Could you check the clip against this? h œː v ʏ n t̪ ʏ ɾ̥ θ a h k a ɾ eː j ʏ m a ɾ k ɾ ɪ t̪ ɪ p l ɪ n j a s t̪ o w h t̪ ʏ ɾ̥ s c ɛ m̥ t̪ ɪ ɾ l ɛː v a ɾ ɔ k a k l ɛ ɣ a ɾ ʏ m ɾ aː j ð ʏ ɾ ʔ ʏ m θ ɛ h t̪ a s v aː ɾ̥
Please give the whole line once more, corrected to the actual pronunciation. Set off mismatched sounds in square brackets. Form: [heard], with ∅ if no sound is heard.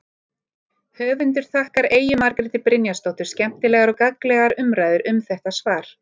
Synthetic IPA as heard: h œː v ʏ n t̪ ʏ ɾ̥ θ a h k a ɾ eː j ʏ m a ɾ k ɾ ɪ t̪ ɪ p [ɾ] ɪ n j a s t̪ o w h t̪ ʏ ɾ̥ s c ɛ m̥ t̪ ɪ [∅] l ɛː [ɣ] a ɾ ɔ k a k l ɛ ɣ a ɾ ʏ m ɾ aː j ð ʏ ɾ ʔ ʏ m θ ɛ h t̪ a s v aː ɾ̥